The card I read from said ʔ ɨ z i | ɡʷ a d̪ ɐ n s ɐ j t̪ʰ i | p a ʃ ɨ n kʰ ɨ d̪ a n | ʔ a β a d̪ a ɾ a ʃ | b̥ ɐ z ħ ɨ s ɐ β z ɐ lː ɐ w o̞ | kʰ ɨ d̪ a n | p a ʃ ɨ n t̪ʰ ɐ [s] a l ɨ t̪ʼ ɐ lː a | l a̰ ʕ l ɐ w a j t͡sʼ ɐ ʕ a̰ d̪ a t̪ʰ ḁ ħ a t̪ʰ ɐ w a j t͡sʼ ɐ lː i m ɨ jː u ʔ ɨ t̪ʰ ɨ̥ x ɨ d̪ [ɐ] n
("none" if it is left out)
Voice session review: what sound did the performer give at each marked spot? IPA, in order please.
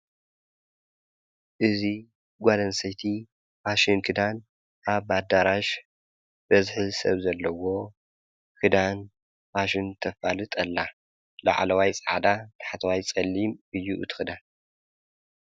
f, a

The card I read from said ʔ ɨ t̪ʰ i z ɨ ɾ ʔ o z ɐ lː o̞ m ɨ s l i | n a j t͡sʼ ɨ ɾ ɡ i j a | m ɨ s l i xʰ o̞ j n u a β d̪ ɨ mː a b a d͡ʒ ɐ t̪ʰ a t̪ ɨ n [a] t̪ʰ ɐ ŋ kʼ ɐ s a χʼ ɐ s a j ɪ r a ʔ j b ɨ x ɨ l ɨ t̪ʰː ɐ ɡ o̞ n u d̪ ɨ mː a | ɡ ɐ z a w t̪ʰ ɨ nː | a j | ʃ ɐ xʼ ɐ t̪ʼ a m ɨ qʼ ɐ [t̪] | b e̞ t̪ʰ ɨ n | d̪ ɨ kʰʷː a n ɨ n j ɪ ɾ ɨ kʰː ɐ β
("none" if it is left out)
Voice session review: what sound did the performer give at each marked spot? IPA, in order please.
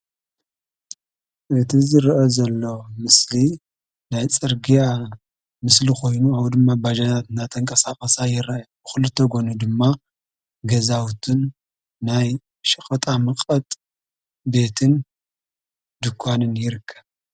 a, t̪ʼ

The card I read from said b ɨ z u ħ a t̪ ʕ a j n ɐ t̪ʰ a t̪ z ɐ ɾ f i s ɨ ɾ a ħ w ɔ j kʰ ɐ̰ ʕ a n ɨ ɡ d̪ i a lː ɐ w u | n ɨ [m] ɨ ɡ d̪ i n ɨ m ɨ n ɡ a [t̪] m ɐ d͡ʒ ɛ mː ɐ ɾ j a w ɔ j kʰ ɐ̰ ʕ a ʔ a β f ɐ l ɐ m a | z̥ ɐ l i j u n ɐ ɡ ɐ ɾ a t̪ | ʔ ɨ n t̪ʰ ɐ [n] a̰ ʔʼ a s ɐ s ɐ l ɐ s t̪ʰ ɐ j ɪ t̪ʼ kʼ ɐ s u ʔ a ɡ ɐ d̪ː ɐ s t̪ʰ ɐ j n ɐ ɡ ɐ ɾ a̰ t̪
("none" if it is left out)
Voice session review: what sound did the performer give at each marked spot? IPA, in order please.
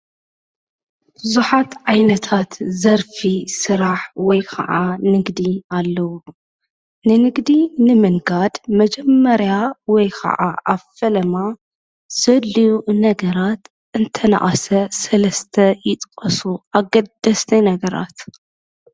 n, d̪, n

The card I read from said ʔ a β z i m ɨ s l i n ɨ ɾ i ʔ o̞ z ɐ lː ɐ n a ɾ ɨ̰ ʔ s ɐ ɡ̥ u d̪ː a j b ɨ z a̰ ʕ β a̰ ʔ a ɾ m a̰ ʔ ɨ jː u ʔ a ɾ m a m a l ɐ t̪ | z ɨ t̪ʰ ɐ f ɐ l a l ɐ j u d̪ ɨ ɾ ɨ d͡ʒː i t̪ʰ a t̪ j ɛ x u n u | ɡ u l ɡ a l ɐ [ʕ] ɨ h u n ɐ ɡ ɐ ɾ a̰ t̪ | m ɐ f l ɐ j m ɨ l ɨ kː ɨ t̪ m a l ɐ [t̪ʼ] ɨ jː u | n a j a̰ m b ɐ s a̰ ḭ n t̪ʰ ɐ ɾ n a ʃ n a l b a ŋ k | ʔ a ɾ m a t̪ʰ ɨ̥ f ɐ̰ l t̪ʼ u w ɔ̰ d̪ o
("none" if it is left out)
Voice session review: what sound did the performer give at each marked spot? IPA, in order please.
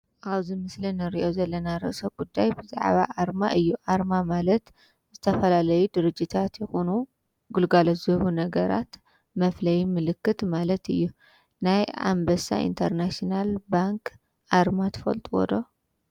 z, t̪

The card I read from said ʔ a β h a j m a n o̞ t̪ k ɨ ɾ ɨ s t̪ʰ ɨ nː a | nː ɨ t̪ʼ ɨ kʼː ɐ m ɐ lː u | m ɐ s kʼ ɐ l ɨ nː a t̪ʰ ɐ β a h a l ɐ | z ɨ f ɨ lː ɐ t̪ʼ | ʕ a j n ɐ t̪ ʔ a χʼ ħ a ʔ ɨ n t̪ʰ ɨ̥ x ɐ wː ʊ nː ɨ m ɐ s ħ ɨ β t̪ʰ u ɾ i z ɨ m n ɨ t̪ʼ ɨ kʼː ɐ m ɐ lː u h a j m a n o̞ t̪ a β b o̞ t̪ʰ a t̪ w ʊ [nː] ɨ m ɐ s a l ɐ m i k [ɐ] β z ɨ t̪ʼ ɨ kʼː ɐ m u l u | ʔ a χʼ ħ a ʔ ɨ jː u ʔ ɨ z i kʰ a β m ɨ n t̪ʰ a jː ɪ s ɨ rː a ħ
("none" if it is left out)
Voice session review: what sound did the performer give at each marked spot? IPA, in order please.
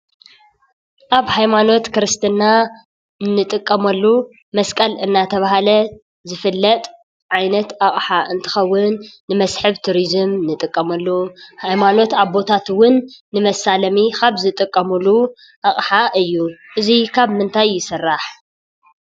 nː, a

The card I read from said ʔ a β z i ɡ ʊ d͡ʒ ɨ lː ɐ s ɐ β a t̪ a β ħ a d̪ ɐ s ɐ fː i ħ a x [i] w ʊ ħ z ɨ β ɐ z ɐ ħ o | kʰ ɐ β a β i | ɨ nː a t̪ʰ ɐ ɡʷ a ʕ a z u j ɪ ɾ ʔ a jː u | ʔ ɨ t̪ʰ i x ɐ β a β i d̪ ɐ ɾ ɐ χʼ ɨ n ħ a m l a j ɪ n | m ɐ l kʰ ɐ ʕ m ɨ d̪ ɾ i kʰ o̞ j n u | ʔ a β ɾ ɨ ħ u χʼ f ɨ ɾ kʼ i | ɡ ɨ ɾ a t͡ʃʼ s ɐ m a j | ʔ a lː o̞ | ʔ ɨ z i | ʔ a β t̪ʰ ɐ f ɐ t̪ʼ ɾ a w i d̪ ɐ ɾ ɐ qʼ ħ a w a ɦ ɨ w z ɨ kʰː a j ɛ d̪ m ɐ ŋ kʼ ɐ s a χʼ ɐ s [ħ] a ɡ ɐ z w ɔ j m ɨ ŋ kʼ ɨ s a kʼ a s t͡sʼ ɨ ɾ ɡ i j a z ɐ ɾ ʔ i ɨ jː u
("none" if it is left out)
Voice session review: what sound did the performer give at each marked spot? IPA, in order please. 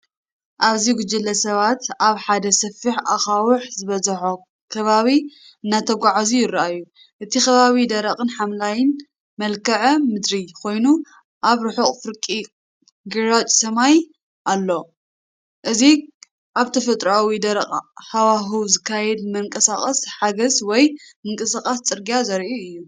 a, ħ

